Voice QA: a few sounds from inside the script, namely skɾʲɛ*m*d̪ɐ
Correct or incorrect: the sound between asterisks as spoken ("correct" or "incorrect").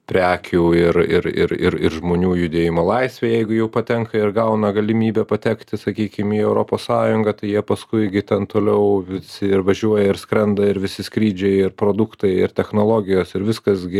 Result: incorrect